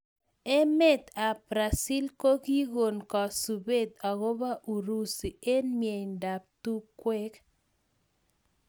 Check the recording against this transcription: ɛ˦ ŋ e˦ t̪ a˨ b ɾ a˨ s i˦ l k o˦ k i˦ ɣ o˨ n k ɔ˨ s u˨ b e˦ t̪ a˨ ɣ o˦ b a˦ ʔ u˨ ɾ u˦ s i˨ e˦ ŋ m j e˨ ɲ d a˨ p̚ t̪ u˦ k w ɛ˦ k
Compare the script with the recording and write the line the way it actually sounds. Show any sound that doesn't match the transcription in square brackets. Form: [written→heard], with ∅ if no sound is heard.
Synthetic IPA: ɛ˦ [ŋ→m] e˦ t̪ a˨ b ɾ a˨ s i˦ l k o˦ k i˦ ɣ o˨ n k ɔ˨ s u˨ b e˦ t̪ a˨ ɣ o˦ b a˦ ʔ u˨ ɾ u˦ s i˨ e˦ [ŋ→n] m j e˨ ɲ d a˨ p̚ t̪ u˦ k w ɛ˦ k